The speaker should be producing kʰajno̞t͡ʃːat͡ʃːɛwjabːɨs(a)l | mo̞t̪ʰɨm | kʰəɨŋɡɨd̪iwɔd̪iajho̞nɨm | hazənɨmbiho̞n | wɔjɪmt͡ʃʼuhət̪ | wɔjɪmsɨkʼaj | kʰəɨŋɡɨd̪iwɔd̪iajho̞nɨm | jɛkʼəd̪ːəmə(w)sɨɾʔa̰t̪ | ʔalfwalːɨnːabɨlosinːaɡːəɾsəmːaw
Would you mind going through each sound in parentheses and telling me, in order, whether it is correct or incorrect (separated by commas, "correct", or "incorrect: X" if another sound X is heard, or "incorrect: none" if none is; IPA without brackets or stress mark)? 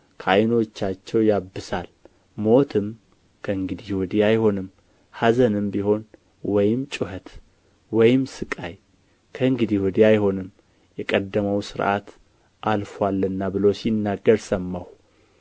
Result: correct, correct